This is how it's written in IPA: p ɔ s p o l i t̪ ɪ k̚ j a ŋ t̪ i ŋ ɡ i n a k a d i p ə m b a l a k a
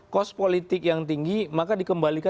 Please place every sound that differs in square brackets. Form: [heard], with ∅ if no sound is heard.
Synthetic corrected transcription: [k] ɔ s p o l i t̪ ɪ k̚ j a ŋ t̪ i ŋ ɡ i [m] a k a d i [k] ə m b a l [i] k a